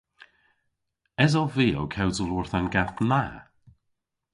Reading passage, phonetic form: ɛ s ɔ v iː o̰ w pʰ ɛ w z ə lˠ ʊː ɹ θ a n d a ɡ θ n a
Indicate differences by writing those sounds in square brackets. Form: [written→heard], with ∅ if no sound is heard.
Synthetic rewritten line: ɛ [s→z] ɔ v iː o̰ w [pʰ→kʰ] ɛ w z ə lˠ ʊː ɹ θ a n [d→ɡ] a [ɡ→∅] θ n a